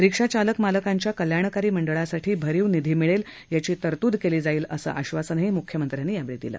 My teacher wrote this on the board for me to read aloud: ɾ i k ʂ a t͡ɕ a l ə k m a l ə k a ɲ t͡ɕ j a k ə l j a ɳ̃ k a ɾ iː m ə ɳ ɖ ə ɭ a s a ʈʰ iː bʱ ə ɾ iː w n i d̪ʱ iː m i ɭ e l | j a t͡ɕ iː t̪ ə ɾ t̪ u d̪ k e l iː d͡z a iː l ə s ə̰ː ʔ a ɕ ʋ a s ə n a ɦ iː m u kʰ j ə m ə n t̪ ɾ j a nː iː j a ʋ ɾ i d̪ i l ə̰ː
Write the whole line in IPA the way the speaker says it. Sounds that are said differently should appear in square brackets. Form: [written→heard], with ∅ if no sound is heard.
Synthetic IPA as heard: ɾ i k ʂ a t͡ɕ a l ə k m a l ə k a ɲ t͡ɕ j a k ə l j a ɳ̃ k a ɾ iː m ə ɳ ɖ ə ɭ a s a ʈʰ iː bʱ ə ɾ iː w n i d̪ʱ iː m i ɭ e l | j a t͡ɕ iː t̪ ə ɾ t̪ u d̪ k e l iː d͡z a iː l ə s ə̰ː ʔ a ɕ ʋ a s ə n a ɦ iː m u kʰ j ə m ə n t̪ ɾ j a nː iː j a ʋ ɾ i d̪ i l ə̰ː